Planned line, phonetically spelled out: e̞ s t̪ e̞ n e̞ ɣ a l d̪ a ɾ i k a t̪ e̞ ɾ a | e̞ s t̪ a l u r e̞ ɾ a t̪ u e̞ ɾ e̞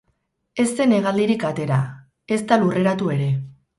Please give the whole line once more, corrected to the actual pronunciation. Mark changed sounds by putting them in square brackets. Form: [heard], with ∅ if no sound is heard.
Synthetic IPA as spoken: e̞ s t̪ e̞ n e̞ ɣ a l d̪ [i] ɾ i k a t̪ e̞ ɾ a | e̞ s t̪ a l u r e̞ ɾ a t̪ u e̞ ɾ e̞